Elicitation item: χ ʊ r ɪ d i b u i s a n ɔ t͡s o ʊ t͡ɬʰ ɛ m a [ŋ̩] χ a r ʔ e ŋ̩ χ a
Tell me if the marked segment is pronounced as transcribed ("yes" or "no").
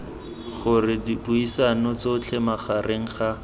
no